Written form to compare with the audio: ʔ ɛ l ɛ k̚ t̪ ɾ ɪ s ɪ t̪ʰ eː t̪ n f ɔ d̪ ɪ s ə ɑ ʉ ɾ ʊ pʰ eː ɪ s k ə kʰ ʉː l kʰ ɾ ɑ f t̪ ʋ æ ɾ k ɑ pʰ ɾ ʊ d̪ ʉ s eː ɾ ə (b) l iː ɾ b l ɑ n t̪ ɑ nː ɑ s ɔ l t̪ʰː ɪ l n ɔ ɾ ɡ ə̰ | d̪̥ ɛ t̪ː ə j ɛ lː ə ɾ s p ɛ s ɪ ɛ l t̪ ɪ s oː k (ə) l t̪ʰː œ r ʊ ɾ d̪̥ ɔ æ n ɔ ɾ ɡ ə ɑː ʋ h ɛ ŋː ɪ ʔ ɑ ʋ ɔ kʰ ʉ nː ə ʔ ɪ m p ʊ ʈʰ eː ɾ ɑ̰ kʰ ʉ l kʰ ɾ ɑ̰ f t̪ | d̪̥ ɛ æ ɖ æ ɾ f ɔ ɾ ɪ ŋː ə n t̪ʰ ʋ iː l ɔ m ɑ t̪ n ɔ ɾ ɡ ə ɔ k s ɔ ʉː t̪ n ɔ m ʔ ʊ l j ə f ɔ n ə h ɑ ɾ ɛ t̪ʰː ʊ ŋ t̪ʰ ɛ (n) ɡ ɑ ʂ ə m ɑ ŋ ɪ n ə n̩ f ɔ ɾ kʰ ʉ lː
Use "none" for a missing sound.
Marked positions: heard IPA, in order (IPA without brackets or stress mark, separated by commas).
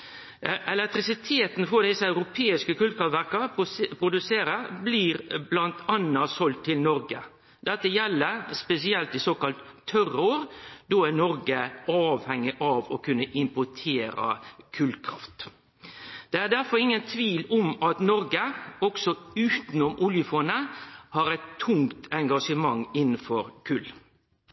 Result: b, ɑ, ŋ